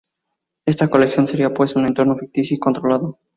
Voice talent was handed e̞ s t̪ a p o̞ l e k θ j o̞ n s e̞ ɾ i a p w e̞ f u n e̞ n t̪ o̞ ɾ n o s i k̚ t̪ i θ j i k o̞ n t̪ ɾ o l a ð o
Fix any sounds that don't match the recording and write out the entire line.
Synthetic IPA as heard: e̞ s t̪ a k o̞ l e k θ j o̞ n s e̞ ɾ i a p w e̞ s u n e̞ n t̪ o̞ ɾ n o f i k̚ t̪ i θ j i k o̞ n t̪ ɾ o l a ð o